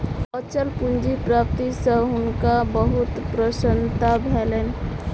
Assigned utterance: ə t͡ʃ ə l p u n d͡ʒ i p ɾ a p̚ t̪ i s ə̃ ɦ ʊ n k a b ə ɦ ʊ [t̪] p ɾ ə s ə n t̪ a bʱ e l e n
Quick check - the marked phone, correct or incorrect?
correct